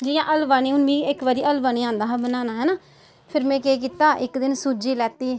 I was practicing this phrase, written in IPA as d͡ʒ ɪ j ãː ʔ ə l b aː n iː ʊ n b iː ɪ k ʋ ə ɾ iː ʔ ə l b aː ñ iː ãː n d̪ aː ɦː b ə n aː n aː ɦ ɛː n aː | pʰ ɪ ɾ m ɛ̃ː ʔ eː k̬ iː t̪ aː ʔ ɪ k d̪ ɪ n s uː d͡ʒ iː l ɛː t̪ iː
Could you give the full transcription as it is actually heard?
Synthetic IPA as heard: d͡ʒ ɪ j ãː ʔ ə l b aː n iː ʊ n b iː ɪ k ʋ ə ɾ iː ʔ ə l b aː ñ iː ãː n d̪ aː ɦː b ə n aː n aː ɦ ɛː n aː | pʰ ɪ ɾ m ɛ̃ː k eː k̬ iː t̪ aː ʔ ɪ k d̪ ɪ n s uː d͡ʒ iː l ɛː t̪ iː